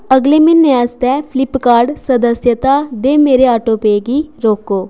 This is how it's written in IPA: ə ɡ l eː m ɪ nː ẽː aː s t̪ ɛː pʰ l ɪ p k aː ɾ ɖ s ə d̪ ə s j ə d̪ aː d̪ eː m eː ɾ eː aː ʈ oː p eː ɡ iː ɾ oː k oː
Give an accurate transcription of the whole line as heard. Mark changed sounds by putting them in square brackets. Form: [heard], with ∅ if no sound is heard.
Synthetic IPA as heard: ə ɡ l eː m ɪ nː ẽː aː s t̪ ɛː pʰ l ɪ p k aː ɾ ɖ s ə d̪ ə s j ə [t̪] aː d̪ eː m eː ɾ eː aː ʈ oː p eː ɡ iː ɾ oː k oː